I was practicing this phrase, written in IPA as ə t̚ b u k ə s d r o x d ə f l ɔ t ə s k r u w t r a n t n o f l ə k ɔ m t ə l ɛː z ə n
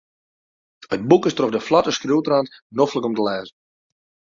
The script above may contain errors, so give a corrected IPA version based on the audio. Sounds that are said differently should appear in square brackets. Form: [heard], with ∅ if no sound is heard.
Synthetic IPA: ə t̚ b u k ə s [t] r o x d ə f l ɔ t ə s k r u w t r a n t n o f l ə k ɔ m t ə l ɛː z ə n